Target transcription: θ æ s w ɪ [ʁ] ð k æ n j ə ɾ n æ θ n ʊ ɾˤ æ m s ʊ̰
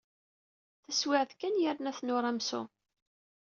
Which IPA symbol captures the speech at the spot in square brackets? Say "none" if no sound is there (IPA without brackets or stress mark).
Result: ʕ